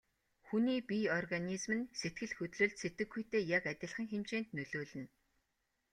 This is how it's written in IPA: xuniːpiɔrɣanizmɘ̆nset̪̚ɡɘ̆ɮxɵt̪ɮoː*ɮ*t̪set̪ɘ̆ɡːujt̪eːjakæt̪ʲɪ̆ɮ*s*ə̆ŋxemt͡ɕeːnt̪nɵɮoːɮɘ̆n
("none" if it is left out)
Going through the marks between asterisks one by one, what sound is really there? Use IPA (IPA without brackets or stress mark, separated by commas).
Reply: ɮ, χ